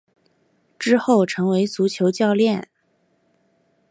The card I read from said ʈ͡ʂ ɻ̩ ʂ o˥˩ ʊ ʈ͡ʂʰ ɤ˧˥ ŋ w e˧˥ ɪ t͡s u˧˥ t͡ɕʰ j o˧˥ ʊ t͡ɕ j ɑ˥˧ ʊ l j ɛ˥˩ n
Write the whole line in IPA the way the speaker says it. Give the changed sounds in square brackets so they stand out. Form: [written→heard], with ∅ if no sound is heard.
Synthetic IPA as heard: ʈ͡ʂ ɻ̩ [ʂ→x] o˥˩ ʊ ʈ͡ʂʰ ɤ˧˥ ŋ w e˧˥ ɪ t͡s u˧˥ t͡ɕʰ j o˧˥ ʊ t͡ɕ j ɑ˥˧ ʊ l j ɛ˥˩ n